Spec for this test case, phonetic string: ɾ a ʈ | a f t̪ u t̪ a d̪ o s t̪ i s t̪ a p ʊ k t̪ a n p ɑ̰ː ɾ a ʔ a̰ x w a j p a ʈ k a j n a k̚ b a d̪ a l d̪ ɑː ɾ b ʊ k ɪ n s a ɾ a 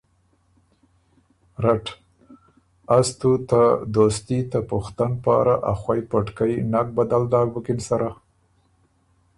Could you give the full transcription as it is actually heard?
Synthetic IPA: ɾ a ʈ | a s t̪ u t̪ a d̪ o s t̪ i t̪ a p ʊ x t̪ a n p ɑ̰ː ɾ a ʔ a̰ x w a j p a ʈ k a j n a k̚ b a d̪ a l d̪ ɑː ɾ b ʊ k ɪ n s a ɾ a